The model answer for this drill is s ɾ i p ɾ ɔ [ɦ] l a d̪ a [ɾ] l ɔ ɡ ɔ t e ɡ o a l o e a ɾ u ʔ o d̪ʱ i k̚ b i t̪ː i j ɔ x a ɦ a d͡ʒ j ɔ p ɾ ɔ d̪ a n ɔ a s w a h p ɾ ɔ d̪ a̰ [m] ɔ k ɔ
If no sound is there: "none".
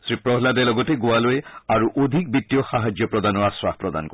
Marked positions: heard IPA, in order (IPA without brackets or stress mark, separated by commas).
ɦ, none, n